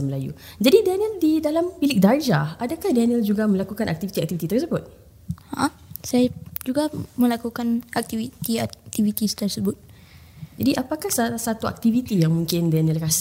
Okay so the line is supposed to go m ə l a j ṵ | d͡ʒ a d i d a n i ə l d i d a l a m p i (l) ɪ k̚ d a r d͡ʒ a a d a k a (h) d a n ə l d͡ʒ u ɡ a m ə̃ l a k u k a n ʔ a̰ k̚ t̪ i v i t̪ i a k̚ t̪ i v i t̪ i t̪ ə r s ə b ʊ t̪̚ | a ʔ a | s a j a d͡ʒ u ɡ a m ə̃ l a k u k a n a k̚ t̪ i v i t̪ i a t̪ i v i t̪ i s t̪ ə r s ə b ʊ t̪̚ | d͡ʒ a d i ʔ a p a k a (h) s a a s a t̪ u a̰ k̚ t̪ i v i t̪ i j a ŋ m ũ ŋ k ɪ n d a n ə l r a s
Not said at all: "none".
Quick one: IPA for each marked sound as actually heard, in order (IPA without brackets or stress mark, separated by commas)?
l, h, h